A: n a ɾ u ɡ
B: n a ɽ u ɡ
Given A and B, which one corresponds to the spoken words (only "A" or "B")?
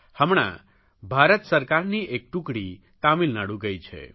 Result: B